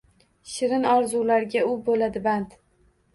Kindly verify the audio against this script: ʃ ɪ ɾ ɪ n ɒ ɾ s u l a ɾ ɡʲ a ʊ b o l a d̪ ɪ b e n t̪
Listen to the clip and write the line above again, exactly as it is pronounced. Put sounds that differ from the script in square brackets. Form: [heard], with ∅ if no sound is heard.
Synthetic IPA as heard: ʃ ɪ ɾ ɪ n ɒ ɾ [z] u l a ɾ ɡʲ a ʊ b o l a d̪ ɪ b [a] n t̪

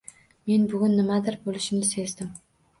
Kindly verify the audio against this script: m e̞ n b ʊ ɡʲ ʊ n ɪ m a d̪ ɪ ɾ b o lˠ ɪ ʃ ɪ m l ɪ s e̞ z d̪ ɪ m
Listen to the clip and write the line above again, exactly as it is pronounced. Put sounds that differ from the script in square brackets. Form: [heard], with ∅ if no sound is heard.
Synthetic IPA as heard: m e̞ n b ʊ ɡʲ ʊ [nː] ɪ m a d̪ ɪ ɾ b o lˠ ɪ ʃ ɪ m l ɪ s e̞ z d̪ ɪ m

